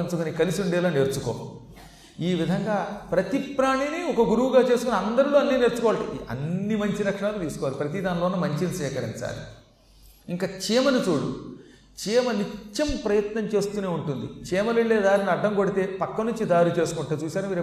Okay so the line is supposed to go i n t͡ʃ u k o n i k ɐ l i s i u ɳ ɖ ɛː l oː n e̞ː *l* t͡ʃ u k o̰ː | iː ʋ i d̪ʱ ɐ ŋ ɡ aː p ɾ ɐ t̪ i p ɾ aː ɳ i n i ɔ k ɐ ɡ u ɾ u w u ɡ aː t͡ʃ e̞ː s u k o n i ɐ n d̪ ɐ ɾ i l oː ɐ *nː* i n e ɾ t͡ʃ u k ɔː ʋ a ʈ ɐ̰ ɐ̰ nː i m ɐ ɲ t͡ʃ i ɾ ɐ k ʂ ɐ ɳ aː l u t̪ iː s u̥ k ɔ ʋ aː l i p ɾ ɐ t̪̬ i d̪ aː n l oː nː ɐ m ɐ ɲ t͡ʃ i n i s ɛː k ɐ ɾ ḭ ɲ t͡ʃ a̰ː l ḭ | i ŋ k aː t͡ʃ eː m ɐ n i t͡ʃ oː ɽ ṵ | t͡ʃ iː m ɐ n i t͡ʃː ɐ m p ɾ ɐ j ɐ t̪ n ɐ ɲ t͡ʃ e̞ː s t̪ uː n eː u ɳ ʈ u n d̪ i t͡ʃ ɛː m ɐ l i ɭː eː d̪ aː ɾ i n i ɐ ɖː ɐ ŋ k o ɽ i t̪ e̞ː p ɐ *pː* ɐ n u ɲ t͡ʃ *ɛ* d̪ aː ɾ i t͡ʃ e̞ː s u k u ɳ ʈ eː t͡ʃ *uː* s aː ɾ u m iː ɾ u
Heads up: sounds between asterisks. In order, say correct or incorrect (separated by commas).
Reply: incorrect, correct, incorrect, incorrect, correct